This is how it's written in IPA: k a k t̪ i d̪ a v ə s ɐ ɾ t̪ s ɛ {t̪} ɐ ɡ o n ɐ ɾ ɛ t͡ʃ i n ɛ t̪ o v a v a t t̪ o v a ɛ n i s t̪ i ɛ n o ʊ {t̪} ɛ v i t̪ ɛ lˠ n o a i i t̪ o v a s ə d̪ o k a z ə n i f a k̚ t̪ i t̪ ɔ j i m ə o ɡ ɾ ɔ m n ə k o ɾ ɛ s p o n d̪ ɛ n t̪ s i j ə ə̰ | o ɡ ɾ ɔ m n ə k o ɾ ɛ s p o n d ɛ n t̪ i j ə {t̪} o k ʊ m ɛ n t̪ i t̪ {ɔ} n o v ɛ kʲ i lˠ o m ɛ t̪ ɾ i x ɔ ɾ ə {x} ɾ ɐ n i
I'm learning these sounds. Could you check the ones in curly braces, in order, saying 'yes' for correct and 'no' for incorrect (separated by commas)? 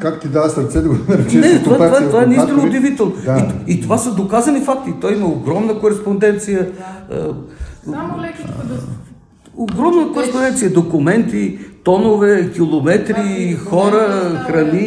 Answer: no, no, no, yes, yes